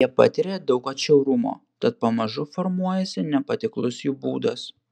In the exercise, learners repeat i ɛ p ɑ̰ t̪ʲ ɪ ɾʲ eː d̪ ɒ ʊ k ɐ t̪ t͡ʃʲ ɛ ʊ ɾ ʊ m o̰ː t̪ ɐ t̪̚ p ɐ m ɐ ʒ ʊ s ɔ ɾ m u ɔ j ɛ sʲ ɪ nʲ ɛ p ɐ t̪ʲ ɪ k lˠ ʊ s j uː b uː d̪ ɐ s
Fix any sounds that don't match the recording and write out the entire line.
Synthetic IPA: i ɛ p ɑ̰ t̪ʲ ɪ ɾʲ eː d̪ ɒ ʊ k ɐ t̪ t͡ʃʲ ɛ ʊ ɾ ʊ m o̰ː t̪ ɐ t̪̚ p ɐ m ɐ ʒ ʊ f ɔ ɾ m u ɔ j ɛ sʲ ɪ nʲ ɛ p ɐ t̪ʲ ɪ k lˠ ʊ s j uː b uː d̪ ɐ s